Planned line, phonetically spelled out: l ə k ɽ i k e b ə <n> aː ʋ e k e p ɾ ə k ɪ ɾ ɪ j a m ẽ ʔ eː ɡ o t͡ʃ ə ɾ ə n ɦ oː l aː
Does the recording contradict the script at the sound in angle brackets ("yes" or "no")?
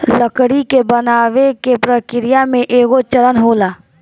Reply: no